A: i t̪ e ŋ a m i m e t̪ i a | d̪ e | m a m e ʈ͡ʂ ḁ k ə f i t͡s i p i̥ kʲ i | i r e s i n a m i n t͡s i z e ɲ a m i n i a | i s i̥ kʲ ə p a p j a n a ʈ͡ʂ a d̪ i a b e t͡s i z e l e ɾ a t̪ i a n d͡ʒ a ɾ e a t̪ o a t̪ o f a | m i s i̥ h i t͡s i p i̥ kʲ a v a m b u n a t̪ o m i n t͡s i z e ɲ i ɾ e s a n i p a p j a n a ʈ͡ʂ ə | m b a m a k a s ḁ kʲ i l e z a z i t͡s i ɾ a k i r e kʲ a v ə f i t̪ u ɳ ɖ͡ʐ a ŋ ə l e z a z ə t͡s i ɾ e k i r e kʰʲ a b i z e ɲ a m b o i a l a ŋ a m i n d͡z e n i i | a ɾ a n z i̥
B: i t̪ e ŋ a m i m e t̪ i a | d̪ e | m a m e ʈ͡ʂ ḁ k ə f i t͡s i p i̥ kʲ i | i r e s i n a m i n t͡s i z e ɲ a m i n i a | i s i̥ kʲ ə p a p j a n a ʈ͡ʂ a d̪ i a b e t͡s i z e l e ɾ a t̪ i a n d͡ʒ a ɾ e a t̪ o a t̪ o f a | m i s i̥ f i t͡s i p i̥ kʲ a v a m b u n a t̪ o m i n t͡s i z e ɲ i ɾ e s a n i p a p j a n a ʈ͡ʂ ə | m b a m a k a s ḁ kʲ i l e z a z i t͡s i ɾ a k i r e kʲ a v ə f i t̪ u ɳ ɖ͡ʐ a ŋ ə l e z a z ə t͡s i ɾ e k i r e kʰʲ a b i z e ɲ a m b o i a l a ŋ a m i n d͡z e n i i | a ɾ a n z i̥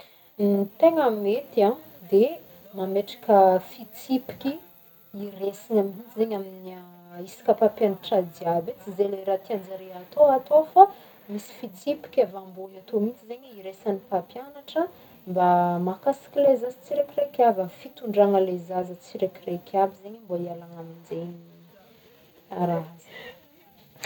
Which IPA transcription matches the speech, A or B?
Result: B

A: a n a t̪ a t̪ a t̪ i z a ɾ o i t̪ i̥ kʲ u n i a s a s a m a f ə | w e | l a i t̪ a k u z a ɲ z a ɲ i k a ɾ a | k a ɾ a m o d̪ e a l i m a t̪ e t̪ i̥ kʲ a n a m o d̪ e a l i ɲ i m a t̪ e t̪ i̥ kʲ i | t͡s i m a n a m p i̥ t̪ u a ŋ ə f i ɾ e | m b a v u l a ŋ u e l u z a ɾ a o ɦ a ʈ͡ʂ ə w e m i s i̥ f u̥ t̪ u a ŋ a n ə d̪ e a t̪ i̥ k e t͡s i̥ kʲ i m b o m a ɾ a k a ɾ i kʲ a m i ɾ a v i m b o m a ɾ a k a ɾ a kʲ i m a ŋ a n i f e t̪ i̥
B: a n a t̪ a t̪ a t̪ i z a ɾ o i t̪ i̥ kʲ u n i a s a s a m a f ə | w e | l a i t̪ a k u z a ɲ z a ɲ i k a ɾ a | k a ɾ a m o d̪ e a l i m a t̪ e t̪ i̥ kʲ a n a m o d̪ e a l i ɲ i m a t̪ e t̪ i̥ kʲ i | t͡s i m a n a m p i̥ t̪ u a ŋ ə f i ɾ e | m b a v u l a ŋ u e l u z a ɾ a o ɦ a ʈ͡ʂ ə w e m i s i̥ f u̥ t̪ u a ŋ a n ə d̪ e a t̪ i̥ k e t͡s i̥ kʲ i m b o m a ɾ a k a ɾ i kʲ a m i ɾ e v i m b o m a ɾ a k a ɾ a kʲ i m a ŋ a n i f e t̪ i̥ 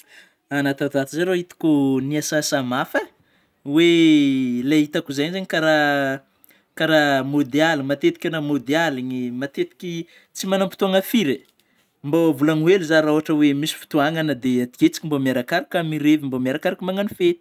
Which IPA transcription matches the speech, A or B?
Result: B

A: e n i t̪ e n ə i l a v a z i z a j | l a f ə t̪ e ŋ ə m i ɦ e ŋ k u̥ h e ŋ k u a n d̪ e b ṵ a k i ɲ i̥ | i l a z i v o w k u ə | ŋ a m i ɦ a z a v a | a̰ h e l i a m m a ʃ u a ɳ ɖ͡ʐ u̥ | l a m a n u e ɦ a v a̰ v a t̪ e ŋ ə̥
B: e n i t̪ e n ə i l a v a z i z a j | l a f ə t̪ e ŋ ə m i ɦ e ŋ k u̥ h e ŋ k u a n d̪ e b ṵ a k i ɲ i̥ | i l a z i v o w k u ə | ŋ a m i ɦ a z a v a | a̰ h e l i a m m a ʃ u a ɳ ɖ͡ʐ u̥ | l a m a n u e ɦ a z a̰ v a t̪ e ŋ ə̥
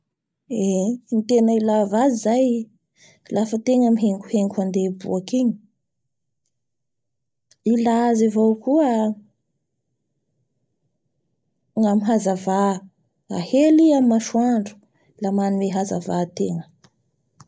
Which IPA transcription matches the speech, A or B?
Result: B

